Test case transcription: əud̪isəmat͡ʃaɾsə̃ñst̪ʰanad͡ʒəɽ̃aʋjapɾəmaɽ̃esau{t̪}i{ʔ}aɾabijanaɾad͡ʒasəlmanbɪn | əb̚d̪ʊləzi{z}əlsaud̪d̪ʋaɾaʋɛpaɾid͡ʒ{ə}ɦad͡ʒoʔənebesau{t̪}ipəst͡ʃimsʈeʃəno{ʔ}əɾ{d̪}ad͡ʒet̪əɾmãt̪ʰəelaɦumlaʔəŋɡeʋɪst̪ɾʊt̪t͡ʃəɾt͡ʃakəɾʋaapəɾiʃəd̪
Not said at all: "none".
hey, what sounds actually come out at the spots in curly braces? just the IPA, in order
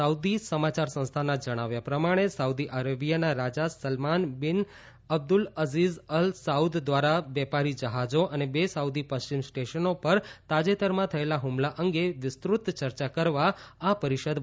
d̪, ʔ, z, ə, d̪, p, t̪

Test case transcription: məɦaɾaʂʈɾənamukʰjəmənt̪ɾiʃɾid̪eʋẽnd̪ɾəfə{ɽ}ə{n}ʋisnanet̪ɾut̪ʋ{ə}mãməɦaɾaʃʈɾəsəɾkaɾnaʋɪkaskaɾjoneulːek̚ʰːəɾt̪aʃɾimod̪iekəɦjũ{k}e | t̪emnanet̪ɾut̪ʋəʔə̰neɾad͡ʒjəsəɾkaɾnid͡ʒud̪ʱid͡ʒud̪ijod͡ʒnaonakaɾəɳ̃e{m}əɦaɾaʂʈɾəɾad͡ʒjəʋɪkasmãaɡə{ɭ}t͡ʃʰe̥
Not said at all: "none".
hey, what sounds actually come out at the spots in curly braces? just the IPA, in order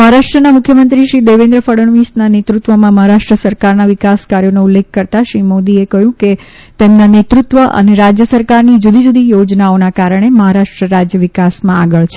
ɽ, ɳ, ə, k, m, ɭ

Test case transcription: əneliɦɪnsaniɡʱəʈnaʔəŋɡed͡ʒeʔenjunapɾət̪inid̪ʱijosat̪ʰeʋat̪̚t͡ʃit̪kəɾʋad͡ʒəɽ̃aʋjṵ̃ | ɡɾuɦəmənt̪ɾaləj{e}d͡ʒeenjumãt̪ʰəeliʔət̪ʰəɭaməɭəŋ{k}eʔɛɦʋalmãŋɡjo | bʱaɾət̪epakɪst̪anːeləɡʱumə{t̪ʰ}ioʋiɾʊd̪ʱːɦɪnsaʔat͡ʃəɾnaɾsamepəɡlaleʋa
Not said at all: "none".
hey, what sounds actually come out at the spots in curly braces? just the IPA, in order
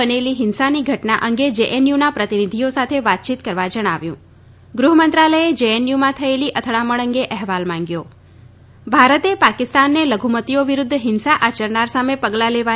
e, ɡ, t̪

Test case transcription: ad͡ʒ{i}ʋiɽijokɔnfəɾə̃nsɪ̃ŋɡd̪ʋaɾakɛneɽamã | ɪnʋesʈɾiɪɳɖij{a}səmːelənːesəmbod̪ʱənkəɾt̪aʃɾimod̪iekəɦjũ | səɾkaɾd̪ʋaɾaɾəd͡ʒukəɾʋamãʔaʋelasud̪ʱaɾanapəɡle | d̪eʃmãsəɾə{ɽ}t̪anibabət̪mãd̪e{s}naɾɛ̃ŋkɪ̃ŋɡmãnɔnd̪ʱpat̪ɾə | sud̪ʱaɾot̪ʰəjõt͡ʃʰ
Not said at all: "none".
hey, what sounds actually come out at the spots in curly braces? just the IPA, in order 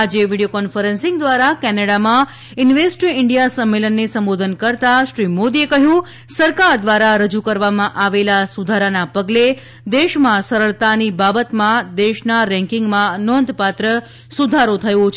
e, a, ɭ, ʃ

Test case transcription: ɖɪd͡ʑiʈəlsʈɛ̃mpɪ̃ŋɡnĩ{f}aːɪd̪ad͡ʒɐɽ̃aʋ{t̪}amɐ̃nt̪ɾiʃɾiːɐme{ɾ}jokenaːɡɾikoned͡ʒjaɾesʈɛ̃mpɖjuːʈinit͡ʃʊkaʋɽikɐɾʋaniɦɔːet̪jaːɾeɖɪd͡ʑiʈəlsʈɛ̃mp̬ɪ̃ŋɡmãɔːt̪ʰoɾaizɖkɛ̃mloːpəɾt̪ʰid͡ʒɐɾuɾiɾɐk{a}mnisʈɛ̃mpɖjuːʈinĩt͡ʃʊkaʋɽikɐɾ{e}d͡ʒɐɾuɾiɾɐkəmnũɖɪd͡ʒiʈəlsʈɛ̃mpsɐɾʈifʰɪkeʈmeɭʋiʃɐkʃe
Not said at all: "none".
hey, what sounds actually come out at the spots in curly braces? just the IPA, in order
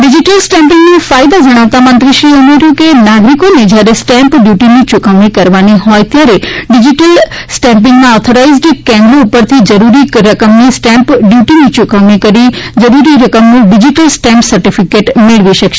f, t̪, ɾ, ə, i

